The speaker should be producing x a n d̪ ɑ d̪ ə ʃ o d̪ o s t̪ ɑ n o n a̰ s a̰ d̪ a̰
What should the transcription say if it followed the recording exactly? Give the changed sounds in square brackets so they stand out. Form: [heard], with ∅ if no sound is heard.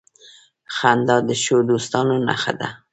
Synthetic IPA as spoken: x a n d̪ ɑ d̪ ə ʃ o d̪ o s t̪ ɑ n o n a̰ [x] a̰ d̪ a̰